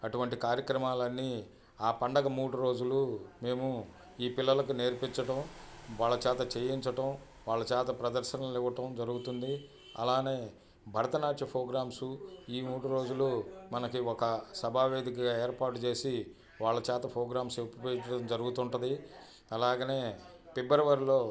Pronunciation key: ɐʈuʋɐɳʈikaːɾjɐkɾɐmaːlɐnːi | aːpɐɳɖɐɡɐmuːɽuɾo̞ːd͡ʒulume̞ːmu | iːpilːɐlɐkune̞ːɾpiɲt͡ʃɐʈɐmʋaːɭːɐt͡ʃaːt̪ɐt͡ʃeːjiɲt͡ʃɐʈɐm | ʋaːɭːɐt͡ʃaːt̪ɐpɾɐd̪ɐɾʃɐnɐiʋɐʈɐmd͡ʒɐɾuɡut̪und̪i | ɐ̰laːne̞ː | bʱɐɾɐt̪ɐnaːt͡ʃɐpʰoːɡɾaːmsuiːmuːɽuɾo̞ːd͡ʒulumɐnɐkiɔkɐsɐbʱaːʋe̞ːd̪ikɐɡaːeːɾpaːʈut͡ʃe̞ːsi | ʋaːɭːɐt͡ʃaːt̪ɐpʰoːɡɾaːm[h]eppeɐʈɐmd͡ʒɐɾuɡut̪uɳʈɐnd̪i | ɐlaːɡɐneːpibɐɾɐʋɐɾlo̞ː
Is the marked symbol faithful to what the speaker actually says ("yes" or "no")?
no